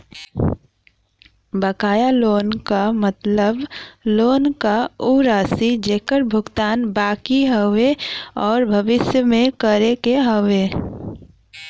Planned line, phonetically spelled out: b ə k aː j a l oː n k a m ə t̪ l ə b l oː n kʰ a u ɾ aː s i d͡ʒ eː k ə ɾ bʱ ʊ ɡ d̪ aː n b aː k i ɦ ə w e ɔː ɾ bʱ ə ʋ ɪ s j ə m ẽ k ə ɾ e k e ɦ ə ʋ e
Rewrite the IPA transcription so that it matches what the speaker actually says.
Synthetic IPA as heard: b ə k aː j a l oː n k a m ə t̪ l ə b l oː n k a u ɾ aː s i d͡ʒ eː k ə ɾ bʱ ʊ ɡ t̪ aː n b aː k i ɦ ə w e ɔː ɾ bʱ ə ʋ ɪ s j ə m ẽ k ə ɾ e k e ɦ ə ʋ e